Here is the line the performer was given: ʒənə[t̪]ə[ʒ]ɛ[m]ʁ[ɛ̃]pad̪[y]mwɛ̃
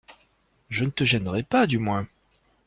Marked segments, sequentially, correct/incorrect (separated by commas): correct, correct, incorrect, incorrect, correct